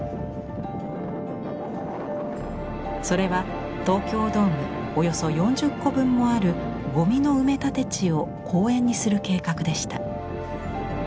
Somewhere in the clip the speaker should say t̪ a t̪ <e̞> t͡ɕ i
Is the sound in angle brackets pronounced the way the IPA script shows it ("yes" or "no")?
yes